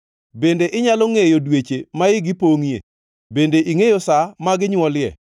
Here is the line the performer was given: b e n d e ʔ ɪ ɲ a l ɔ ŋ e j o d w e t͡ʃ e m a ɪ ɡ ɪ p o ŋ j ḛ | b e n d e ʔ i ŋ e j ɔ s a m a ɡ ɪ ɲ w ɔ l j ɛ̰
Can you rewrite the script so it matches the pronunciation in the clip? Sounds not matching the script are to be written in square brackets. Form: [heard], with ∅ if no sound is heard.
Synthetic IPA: b e n d e ʔ ɪ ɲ a l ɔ ŋ e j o d w e t͡ʃ e m a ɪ ɡ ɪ p o ŋ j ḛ | b e n d e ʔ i ŋ e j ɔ s a m a ɡ ɪ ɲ w ɔ l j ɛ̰